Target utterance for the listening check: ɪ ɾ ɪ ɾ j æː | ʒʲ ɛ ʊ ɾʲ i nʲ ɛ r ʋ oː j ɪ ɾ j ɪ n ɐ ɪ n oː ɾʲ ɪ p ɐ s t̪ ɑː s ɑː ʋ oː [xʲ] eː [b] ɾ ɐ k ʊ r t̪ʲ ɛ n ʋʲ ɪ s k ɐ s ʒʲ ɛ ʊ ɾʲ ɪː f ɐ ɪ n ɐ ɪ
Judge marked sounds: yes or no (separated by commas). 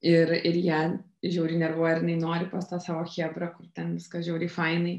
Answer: yes, yes